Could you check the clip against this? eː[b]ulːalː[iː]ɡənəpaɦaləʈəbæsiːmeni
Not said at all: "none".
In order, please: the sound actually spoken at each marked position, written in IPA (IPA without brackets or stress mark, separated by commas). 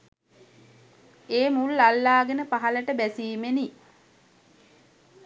m, aː